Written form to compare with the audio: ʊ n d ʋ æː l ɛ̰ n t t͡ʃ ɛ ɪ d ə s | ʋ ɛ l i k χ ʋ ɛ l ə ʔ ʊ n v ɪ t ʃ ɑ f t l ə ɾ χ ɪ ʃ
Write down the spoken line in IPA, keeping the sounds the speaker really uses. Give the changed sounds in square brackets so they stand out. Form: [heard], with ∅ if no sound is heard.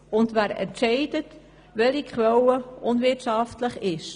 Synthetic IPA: ʊ n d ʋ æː [ɾ] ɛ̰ n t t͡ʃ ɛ ɪ d ə [t] | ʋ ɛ l i k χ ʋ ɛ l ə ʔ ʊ n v ɪ t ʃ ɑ f t l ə [∅] χ ɪ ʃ